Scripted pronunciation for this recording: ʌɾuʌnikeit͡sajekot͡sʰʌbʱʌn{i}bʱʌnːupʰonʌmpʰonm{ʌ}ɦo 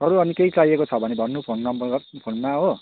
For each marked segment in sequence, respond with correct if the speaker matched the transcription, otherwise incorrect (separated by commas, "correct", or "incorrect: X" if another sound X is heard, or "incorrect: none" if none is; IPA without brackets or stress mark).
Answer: incorrect: e, incorrect: a